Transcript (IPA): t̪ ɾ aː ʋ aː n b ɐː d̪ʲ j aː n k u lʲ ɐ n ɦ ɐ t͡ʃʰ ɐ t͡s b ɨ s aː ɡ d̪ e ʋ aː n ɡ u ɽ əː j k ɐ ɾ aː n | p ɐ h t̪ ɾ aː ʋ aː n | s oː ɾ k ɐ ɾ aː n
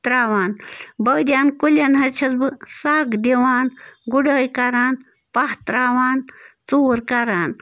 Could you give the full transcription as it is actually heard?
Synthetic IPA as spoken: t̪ ɾ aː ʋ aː n b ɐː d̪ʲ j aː n k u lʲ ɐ n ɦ ɐ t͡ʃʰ ɐ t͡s b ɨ s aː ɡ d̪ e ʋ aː n ɡ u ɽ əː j k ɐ ɾ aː n | p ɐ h t̪ ɾ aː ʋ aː n | t͡s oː ɾ k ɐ ɾ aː n